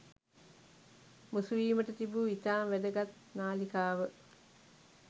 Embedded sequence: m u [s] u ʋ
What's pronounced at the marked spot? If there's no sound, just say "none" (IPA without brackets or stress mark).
s